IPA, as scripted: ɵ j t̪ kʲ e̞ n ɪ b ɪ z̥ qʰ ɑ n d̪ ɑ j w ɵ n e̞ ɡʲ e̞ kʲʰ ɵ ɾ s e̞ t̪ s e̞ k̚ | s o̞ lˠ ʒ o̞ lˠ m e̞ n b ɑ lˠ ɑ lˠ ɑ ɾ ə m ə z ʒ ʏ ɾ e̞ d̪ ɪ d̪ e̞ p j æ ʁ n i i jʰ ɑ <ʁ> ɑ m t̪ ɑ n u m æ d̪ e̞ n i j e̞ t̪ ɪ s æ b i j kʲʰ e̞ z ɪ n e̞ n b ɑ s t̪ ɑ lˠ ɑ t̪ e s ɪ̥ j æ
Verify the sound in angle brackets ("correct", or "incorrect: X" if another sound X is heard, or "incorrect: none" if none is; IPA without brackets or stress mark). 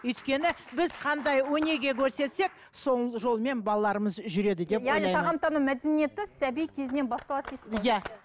correct